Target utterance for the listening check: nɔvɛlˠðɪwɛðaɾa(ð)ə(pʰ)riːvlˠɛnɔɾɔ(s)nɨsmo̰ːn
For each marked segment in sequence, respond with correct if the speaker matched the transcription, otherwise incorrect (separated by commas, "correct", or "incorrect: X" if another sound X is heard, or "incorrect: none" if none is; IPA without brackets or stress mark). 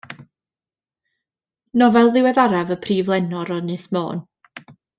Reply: incorrect: v, correct, incorrect: none